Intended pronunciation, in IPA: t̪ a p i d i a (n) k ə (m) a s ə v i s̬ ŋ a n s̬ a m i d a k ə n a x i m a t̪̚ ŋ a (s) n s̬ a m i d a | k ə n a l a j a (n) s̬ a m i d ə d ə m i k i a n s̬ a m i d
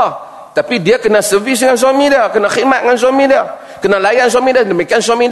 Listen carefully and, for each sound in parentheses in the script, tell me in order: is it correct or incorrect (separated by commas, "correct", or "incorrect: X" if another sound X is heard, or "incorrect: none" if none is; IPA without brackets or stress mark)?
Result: incorrect: none, incorrect: n, incorrect: none, correct